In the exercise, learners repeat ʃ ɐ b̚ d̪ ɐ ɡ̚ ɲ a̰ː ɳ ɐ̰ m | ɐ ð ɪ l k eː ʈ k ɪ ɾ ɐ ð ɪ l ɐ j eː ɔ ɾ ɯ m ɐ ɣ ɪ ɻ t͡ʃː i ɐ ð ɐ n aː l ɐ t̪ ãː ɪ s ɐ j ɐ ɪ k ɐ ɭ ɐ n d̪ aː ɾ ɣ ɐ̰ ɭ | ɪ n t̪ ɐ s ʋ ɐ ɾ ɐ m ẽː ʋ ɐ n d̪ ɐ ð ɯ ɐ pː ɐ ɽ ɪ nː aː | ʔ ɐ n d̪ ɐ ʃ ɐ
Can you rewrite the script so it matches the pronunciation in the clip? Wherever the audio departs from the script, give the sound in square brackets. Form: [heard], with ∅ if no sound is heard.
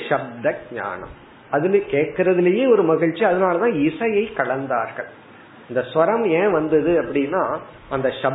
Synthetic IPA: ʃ ɐ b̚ d̪ ɐ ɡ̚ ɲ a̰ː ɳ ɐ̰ m | ɐ ð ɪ l k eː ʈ k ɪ ɾ ɐ ð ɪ l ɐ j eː ɔ ɾ ɯ m ɐ ɣ ɪ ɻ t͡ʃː i ɐ ð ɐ n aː l ɐ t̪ ãː ɪ s ɐ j ɐ ɪ k ɐ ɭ ɐ n d̪ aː ɾ ɣ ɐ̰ ɭ | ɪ n [d̪] ɐ s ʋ ɐ ɾ ɐ m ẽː ʋ ɐ n d̪ ɐ ð ɯ ɐ pː ɐ ɽ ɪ nː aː | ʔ ɐ n d̪ ɐ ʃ ɐ